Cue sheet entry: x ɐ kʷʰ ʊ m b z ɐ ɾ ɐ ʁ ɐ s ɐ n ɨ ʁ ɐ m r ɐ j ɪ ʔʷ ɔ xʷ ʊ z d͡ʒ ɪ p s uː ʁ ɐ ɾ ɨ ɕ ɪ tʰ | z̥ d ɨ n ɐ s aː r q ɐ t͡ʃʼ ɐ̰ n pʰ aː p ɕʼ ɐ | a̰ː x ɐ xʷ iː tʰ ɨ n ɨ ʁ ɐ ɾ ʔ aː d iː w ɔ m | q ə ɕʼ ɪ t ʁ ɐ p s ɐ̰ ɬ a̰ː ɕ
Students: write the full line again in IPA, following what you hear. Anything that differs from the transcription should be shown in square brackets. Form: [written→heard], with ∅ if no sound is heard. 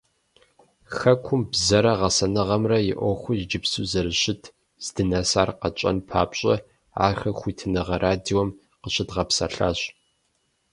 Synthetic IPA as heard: x ɐ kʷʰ ʊ m b z ɐ ɾ ɐ ʁ ɐ s ɐ n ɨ ʁ ɐ m r ɐ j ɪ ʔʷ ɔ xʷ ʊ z d͡ʒ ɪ p s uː [ʁ→z] ɐ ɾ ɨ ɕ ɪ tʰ | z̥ d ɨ n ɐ s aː r q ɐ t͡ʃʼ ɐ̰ n pʰ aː p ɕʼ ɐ | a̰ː x ɐ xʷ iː tʰ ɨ n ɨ ʁ ɐ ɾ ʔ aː d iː w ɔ m | q ə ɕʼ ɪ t ʁ ɐ p s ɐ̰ ɬ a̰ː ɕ